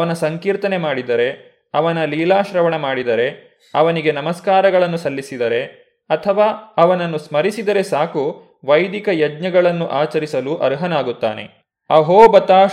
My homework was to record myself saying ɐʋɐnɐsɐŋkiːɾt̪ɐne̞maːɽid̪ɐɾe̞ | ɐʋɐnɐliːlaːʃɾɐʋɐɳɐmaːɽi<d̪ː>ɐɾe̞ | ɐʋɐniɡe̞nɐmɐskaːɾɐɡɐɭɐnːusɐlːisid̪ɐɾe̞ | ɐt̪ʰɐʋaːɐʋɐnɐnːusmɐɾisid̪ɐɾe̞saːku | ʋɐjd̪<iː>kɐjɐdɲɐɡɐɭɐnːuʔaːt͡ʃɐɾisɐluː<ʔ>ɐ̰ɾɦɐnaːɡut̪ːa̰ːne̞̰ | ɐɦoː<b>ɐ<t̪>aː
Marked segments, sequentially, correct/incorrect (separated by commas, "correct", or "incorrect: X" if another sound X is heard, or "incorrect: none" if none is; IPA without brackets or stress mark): incorrect: d̪, incorrect: i, correct, correct, correct